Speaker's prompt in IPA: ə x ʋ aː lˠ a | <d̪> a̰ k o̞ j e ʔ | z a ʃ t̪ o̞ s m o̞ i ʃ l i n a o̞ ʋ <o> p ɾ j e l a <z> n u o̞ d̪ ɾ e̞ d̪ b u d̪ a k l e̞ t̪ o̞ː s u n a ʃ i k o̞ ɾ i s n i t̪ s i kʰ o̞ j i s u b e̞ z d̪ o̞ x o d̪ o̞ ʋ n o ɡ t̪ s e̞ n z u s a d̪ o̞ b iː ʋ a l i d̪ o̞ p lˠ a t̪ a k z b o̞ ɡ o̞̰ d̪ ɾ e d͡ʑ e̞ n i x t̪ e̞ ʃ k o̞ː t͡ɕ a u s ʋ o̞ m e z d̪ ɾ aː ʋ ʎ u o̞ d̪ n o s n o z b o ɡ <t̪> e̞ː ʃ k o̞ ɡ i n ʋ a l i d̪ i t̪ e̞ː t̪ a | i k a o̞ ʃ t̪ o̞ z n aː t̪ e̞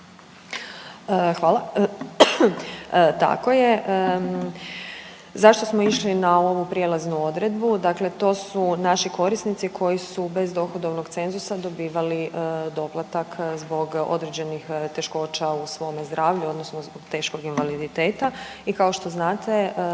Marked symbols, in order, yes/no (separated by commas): no, no, yes, yes